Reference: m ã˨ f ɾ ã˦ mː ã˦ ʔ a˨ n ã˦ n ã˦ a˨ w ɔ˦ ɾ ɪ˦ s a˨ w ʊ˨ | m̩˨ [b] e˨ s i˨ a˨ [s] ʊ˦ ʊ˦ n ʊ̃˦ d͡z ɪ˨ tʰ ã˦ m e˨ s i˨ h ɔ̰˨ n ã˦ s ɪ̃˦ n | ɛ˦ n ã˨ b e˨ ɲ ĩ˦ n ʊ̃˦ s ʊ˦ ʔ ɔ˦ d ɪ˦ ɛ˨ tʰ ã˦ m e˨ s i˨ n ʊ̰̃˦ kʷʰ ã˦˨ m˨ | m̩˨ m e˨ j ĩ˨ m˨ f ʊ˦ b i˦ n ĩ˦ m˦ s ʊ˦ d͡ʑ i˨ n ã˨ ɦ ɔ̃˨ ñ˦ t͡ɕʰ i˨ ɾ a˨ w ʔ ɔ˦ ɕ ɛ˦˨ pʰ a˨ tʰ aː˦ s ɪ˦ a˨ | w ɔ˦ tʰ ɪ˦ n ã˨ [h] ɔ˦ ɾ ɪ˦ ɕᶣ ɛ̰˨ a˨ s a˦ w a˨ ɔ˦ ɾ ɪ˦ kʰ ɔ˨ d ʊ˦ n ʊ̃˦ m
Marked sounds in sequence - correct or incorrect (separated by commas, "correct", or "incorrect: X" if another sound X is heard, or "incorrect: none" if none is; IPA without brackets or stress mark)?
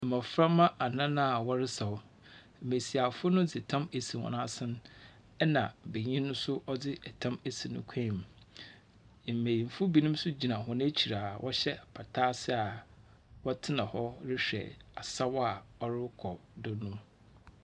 incorrect: m, incorrect: f, correct